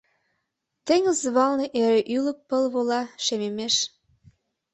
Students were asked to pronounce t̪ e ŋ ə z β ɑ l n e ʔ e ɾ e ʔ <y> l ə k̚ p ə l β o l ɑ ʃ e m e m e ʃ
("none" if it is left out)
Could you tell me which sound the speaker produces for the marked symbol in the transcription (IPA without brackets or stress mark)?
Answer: y